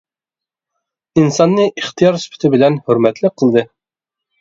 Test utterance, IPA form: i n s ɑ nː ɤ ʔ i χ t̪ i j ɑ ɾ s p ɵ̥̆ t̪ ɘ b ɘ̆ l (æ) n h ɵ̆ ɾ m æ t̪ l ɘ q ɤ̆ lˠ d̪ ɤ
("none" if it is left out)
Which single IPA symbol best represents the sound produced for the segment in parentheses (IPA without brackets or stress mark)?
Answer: æ